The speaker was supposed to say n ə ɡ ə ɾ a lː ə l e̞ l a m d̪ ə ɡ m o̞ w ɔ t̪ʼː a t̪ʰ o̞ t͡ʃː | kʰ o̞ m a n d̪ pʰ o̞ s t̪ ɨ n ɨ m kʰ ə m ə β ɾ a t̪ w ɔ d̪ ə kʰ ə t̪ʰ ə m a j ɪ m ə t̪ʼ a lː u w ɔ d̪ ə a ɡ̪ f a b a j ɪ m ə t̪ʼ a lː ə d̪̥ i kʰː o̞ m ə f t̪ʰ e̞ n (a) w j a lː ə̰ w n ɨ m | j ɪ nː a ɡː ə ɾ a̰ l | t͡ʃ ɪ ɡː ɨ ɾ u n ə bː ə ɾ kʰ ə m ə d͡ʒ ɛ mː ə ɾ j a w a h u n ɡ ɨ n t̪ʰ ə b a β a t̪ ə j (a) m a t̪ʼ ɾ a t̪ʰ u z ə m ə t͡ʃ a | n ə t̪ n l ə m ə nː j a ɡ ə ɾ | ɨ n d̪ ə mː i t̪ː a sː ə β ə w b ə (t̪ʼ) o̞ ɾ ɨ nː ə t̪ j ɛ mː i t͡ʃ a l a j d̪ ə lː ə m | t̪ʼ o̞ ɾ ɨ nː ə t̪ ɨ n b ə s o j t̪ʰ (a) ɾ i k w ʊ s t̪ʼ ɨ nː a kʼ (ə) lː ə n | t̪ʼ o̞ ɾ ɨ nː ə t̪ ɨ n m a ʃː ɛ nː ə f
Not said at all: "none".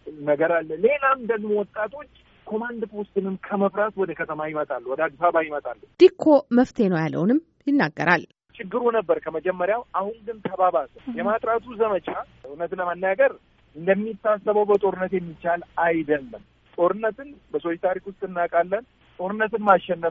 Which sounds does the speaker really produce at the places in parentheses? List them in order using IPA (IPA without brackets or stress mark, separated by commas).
ə, ɛ, t̪ʼ, a, a